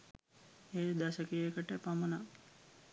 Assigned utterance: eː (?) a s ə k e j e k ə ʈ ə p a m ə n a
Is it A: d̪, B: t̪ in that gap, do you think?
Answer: A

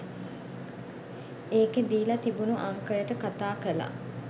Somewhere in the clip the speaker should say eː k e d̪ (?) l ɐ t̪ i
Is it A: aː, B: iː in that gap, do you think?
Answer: B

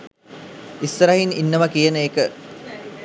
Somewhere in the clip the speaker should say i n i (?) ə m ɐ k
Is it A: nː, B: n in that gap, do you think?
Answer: A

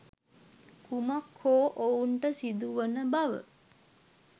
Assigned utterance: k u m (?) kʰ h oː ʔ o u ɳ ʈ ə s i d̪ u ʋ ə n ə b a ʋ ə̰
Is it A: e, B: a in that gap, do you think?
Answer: B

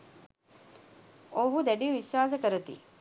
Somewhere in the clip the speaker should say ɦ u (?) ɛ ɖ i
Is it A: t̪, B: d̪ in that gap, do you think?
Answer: B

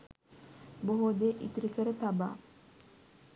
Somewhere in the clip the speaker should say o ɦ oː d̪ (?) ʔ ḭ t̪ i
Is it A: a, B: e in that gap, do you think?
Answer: B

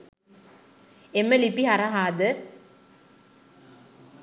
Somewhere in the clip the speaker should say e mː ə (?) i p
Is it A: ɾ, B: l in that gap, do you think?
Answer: B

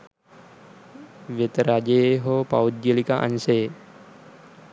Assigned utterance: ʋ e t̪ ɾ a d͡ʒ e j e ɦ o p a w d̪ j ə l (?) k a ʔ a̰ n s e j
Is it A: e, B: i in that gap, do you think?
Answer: B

